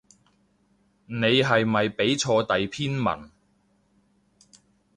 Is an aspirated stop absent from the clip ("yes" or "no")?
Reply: no